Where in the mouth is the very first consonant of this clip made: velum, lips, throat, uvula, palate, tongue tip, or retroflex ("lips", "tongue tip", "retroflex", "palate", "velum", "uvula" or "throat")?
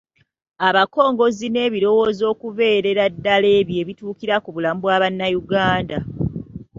lips